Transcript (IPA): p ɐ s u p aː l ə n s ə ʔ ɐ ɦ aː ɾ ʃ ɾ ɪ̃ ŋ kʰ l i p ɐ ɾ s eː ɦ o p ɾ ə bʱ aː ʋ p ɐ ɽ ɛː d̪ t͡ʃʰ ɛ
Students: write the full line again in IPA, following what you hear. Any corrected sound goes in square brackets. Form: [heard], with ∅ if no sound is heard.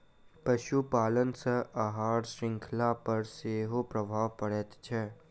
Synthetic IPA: p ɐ [ʃ] u p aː l ə n s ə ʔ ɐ ɦ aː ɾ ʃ ɾ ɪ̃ ŋ kʰ l [a] p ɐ ɾ s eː ɦ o p ɾ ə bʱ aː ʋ p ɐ ɽ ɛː [t̪] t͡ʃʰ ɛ